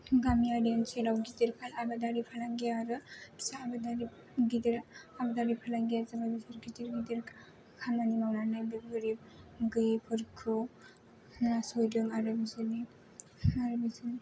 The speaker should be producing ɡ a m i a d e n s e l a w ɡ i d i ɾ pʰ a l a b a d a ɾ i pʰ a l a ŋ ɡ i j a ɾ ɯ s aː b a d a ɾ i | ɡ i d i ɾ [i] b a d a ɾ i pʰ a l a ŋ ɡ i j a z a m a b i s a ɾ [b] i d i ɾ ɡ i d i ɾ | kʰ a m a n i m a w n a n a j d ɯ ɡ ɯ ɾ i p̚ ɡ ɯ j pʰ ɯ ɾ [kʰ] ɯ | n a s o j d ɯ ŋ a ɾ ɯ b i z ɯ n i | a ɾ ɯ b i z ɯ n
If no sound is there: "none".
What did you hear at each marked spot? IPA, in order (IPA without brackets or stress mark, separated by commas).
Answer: a, ɡ, kʰ